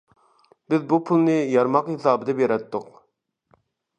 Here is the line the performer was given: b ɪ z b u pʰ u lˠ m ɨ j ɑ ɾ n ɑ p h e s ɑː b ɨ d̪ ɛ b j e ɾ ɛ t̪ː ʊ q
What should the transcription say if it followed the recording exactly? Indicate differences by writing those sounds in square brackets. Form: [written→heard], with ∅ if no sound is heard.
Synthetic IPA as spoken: b ɪ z b u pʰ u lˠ [m→n] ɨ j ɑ ɾ [n→m] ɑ [p→q] h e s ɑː b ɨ d̪ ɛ b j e ɾ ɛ t̪ː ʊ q